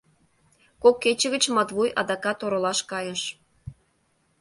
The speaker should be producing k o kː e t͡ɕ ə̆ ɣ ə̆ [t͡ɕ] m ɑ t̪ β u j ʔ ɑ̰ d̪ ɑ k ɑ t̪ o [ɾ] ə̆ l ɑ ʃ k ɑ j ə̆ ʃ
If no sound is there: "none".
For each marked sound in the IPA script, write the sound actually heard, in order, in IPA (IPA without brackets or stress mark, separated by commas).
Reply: t͡ɕ, ɾ